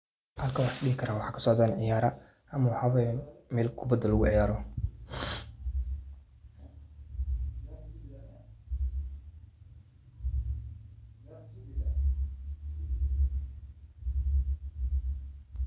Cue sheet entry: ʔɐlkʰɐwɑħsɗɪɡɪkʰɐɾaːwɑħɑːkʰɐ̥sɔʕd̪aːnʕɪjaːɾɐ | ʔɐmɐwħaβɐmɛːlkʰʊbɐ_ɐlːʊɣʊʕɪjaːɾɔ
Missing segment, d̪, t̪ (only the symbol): d̪